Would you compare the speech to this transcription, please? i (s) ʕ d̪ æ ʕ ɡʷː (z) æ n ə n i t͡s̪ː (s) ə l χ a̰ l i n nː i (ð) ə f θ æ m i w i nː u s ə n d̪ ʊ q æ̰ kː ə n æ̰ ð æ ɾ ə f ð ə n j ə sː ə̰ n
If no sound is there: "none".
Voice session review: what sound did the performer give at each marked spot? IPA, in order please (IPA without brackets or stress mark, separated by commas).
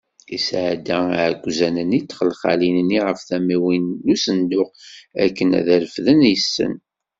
s, z, χ, ʁ